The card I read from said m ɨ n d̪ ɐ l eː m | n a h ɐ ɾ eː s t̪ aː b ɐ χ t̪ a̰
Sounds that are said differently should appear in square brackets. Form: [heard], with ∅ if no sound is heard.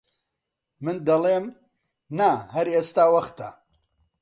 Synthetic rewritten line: m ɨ n d̪ ɐ l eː m | n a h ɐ ɾ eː s t̪ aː [w] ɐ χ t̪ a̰